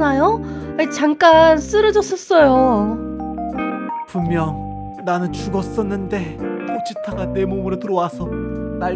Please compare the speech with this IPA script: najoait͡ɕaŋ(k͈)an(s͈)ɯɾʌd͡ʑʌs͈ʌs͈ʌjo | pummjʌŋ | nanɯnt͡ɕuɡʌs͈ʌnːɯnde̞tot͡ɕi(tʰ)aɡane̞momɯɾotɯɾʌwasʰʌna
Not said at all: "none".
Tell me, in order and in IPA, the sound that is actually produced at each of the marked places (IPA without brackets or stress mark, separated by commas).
k͈, s͈, tʰ